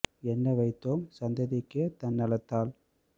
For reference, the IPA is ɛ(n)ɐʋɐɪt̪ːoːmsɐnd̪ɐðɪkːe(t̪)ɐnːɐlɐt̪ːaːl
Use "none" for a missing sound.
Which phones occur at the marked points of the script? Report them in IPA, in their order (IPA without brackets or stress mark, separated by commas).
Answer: nː, t̪